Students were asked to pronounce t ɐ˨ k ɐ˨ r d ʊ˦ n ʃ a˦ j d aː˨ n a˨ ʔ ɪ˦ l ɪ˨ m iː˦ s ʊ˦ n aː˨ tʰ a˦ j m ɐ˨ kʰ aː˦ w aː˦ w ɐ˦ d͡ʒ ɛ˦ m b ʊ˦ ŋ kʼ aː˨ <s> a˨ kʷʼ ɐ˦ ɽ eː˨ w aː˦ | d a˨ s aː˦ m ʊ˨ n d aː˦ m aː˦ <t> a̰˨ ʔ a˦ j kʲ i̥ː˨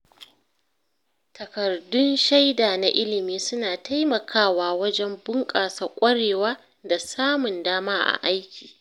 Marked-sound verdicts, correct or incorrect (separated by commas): correct, incorrect